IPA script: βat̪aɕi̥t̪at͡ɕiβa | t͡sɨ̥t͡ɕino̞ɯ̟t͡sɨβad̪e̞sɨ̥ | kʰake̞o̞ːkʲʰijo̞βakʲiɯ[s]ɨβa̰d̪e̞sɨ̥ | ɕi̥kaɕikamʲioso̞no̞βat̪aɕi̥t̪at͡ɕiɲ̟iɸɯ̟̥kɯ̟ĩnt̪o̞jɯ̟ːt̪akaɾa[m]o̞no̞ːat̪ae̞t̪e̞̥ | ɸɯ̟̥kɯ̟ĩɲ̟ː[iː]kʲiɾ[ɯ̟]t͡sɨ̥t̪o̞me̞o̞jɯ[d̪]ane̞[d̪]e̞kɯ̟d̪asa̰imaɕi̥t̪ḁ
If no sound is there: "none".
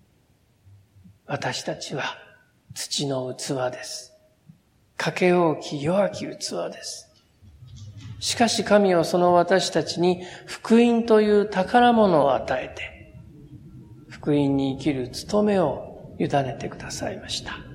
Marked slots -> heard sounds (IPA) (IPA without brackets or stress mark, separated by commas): t͡s, m, iː, ɯ̟, d̪, t̪